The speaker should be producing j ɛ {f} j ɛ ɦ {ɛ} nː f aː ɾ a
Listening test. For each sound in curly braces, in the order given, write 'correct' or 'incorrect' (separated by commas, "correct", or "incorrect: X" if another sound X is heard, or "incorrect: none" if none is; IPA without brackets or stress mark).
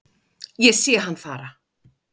incorrect: s, incorrect: a